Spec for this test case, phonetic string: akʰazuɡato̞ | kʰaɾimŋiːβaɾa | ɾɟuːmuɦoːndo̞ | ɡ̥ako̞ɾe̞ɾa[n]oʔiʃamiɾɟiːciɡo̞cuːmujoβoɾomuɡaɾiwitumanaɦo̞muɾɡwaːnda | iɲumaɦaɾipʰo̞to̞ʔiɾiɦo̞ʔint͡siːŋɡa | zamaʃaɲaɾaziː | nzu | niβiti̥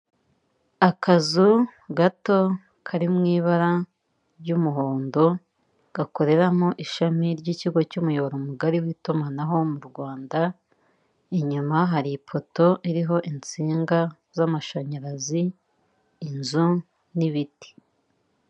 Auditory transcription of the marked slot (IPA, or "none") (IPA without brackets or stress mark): m